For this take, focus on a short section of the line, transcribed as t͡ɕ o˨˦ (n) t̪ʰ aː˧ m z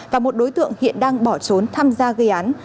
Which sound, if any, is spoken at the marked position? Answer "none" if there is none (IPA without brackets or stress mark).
n